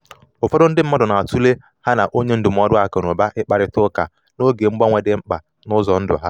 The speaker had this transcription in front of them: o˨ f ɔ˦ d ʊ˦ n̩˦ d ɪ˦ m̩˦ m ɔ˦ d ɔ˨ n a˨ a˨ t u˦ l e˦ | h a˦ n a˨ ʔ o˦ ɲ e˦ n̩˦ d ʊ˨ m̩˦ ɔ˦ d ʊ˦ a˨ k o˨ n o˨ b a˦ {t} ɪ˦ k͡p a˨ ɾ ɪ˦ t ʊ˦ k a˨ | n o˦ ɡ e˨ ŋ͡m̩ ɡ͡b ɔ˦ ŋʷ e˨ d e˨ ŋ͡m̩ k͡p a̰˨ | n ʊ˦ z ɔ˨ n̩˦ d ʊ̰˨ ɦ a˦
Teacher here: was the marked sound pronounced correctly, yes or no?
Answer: no